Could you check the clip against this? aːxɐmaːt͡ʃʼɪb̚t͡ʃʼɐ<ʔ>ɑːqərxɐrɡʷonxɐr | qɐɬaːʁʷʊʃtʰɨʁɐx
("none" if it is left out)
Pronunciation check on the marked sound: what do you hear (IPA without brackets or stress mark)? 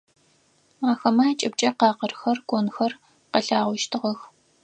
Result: q